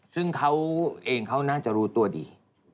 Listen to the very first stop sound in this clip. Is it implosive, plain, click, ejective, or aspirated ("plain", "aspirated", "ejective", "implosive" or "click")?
aspirated